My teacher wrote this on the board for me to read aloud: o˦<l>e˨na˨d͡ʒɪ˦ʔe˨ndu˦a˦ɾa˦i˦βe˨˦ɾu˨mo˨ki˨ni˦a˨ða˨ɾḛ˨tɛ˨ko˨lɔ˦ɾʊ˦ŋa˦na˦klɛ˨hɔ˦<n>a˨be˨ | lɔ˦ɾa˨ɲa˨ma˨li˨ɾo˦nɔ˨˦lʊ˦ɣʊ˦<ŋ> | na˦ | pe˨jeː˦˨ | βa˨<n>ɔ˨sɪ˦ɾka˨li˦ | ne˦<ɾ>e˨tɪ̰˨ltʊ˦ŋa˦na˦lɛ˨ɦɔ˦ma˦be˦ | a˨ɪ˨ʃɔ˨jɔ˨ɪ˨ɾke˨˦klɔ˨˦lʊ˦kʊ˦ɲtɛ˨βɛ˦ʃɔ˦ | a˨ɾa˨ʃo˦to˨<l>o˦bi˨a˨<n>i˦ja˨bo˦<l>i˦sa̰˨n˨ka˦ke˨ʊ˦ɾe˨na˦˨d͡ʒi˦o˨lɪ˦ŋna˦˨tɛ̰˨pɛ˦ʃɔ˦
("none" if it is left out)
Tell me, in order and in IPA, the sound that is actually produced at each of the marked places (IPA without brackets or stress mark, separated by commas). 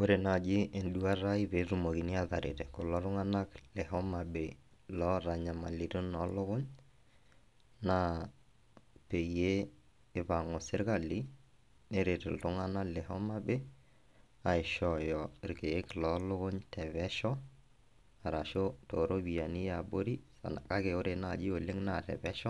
ɾ, m, ɲ, ŋ, ɾ, ɾ, n, ɾ